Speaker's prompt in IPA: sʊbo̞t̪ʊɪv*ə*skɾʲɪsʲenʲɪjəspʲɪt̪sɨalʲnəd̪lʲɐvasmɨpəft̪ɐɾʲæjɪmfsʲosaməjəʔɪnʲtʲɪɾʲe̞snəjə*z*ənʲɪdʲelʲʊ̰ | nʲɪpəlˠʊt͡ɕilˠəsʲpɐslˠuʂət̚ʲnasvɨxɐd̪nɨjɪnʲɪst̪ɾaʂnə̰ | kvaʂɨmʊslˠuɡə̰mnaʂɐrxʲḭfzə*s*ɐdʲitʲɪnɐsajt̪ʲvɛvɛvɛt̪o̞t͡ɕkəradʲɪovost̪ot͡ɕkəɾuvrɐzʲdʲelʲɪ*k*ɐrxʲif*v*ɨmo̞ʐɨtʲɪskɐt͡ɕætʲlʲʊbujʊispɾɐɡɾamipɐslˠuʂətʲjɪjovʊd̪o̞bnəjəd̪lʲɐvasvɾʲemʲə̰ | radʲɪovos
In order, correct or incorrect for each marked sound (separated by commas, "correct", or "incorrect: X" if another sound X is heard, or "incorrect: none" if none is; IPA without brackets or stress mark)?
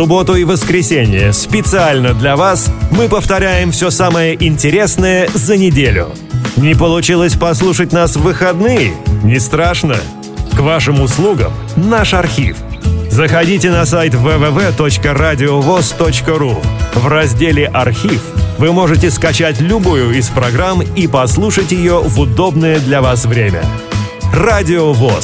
correct, correct, incorrect: x, incorrect: ʔ, correct